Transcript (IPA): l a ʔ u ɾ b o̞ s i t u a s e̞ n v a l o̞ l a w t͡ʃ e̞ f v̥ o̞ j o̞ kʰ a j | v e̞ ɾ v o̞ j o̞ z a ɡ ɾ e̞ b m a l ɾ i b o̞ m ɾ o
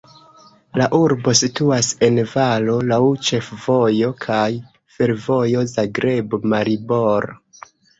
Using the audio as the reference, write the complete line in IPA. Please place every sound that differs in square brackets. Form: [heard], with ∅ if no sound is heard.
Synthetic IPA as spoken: l a ʔ u ɾ b o̞ s i t u a s e̞ n v a l o̞ l a w t͡ʃ e̞ f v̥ o̞ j o̞ kʰ a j | [f] e̞ ɾ v o̞ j o̞ z a ɡ ɾ e̞ b m a [∅] ɾ i b o̞ [∅] ɾ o